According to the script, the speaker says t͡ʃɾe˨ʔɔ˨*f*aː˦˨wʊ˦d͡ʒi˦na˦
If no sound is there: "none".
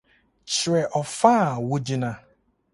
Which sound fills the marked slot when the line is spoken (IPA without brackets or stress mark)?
f